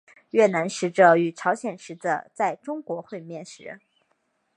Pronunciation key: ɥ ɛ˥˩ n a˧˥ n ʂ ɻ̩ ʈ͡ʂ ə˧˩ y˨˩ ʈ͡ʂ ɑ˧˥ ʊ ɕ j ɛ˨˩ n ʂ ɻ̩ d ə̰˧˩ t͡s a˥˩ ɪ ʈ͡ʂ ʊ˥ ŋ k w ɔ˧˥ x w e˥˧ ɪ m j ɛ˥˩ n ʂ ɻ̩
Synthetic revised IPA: ɥ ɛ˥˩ n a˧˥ n ʂ ɻ̩ ʈ͡ʂ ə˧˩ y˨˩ ʈ͡ʂʰ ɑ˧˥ ʊ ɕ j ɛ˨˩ n ʂ ɻ̩ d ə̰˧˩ t͡s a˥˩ ɪ ʈ͡ʂ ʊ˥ ŋ k w ɔ˧˥ x w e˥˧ ɪ m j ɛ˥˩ n ʂ ɻ̩